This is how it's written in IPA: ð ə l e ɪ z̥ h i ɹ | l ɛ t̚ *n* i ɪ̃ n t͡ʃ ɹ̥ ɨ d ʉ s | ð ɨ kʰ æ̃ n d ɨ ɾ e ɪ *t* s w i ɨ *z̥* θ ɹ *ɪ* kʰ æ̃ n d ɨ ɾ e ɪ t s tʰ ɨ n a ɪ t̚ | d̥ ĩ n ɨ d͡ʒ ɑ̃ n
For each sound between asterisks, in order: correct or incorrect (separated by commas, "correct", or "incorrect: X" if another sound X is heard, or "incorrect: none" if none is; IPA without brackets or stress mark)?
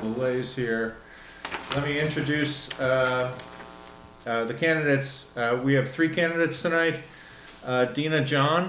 incorrect: m, correct, incorrect: v̥, incorrect: i